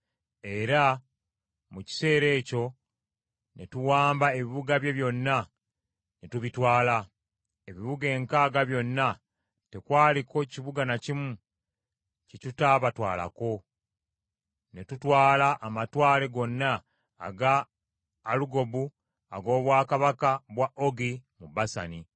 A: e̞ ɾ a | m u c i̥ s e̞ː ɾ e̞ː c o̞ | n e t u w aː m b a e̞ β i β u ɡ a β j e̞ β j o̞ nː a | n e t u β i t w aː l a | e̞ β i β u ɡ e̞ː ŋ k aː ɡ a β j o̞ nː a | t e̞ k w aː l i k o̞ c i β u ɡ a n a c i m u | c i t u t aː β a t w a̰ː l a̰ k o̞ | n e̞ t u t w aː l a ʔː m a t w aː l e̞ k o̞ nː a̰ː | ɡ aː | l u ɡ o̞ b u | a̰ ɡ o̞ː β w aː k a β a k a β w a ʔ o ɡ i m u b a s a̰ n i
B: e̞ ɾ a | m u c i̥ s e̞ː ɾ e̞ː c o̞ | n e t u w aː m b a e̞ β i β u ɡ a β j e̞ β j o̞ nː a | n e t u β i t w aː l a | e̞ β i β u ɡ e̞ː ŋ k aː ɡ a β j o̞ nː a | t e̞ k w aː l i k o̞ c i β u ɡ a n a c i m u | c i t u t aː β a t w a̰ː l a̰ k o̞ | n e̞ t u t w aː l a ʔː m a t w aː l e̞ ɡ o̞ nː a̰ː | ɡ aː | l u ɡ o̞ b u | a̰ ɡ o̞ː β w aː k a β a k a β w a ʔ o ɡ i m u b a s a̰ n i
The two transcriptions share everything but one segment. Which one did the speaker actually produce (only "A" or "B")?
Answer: B